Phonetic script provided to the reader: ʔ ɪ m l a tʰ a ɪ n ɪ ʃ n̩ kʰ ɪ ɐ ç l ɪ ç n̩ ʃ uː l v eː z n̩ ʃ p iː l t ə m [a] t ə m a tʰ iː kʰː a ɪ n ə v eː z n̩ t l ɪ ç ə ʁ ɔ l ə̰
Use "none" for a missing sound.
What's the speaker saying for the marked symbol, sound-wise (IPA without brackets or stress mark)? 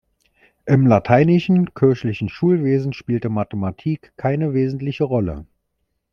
a